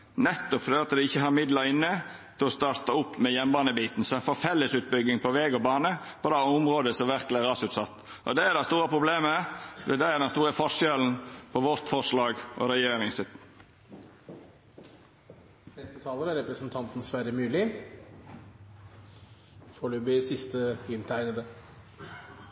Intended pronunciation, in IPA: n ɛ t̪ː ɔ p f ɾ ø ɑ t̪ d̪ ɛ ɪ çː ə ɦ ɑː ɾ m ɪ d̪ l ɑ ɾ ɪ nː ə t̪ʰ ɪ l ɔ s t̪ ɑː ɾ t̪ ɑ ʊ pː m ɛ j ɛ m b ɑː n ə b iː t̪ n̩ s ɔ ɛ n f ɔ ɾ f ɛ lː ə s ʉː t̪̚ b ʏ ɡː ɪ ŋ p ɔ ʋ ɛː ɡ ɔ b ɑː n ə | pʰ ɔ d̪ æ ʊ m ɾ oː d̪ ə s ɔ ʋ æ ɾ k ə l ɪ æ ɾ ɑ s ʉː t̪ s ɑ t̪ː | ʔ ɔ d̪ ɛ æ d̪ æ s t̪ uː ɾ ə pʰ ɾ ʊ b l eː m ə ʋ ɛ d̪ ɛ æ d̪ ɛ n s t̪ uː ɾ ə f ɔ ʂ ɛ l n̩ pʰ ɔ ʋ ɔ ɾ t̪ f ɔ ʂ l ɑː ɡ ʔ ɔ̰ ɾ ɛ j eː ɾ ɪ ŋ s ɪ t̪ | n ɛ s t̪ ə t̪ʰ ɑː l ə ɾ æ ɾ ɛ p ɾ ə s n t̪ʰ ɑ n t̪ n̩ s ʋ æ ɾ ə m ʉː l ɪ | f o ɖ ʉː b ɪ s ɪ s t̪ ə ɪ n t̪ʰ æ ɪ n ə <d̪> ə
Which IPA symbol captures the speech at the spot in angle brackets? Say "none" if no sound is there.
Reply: d̪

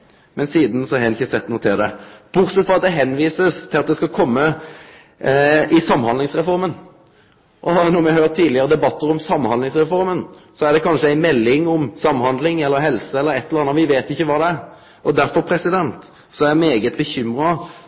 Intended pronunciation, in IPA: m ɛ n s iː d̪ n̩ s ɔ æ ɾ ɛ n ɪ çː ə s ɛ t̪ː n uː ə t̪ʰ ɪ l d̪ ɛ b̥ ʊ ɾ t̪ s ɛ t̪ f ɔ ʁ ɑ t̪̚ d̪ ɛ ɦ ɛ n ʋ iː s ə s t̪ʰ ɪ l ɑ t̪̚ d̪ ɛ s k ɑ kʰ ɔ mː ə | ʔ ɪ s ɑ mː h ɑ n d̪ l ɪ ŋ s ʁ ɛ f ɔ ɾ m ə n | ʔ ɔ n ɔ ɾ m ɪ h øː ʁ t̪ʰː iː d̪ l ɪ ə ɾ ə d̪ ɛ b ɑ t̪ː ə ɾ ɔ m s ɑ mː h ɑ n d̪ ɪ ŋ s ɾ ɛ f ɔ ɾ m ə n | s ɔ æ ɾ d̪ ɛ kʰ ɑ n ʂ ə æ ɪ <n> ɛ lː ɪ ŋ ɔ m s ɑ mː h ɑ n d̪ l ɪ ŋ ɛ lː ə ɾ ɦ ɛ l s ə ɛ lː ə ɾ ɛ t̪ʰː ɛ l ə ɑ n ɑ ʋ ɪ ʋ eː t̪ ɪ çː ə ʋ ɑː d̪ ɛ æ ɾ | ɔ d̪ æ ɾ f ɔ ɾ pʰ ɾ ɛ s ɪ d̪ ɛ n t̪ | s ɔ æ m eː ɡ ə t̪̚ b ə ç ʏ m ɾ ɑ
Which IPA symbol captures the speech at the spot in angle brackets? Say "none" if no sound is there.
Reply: m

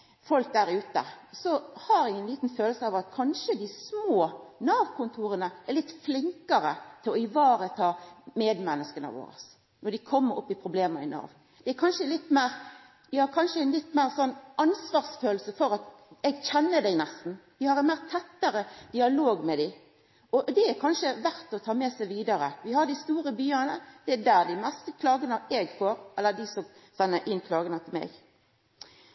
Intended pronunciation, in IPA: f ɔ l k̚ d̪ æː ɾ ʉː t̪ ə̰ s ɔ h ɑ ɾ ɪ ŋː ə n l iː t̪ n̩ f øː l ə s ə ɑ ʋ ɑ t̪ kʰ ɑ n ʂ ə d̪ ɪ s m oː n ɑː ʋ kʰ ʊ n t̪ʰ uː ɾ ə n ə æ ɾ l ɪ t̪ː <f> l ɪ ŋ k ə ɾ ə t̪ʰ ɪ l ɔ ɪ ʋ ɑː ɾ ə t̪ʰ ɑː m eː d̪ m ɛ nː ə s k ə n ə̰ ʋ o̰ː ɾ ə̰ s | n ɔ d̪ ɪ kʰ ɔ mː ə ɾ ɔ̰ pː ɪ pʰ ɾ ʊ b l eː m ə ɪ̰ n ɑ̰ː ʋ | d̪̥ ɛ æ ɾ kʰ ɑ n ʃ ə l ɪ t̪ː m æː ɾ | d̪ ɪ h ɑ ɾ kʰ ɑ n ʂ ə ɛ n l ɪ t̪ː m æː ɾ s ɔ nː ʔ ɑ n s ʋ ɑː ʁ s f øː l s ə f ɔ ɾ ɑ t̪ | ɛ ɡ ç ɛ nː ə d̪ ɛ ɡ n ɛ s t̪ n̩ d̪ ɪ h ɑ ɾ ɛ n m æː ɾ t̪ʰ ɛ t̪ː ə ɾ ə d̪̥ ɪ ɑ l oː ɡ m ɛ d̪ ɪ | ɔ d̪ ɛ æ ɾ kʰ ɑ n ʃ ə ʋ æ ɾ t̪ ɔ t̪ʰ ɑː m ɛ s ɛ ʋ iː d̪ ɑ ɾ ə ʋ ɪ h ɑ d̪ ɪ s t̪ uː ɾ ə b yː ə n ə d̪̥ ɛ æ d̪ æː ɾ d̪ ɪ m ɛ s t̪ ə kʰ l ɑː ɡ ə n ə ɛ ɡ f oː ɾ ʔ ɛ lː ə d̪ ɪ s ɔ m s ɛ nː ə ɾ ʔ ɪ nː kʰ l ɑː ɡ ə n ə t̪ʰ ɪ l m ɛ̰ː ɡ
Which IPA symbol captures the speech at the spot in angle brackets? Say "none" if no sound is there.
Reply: f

